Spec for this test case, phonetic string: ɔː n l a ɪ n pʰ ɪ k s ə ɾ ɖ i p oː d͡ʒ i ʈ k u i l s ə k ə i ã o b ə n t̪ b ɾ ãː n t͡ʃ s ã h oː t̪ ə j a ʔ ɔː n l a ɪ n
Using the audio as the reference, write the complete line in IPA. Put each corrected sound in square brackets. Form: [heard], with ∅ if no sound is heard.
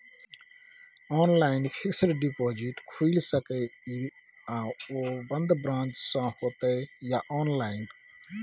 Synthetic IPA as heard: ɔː n l a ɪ n pʰ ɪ k s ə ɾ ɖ i p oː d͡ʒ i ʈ [kʰ] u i l s ə k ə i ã o b ə n [d̪] b ɾ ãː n t͡ʃ s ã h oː t̪ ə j a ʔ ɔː n l a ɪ n